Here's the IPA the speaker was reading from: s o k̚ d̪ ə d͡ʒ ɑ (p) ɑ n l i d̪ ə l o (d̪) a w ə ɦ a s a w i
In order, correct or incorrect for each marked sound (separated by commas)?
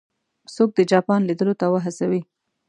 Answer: correct, incorrect